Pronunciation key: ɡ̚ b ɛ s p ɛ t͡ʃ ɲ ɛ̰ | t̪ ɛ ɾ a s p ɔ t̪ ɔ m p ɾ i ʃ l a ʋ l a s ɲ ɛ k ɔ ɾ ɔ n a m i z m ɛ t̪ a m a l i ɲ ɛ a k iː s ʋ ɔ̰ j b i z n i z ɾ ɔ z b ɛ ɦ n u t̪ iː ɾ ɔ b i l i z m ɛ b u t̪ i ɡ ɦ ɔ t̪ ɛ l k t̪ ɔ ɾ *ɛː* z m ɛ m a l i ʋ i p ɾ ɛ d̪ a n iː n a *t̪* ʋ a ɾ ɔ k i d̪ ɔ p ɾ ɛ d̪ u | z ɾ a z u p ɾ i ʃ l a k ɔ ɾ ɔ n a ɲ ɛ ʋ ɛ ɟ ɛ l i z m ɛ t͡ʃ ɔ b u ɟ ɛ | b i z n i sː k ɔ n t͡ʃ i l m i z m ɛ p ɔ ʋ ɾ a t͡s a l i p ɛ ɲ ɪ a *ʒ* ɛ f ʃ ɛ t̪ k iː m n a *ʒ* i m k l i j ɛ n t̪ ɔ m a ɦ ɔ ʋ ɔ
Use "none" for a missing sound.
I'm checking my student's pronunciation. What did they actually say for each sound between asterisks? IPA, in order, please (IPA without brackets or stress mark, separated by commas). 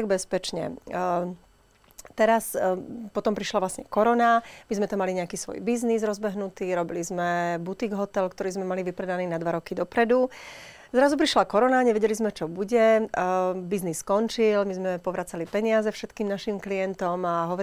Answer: iː, d̪, z, ʃ